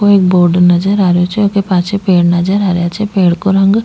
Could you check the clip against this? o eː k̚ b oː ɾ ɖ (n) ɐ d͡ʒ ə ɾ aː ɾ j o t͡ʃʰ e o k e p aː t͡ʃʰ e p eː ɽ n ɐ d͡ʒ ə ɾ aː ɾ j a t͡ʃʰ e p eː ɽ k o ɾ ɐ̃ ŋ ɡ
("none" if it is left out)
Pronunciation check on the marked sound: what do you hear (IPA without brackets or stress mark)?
n